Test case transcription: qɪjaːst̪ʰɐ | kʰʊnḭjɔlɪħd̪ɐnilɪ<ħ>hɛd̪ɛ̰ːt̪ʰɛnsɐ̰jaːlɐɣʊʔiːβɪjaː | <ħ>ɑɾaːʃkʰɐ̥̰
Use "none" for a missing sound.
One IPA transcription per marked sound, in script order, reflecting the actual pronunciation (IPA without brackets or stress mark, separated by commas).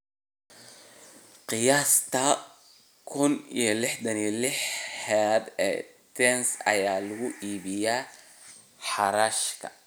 ħ, ħ